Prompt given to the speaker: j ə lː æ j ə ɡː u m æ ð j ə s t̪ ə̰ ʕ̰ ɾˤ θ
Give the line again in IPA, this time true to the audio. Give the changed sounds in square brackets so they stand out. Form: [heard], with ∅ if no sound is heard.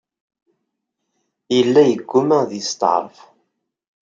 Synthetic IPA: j ə lː æ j ə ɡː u m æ ð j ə s t̪ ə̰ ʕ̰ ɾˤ [f]